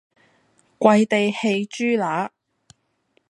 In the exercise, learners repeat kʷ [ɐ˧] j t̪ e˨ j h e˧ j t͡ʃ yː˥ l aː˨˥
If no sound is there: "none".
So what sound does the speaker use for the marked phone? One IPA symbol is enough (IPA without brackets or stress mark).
ɐ˧